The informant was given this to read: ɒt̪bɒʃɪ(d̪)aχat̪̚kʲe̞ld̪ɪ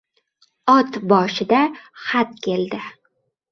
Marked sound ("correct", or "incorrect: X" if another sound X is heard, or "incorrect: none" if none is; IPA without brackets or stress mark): correct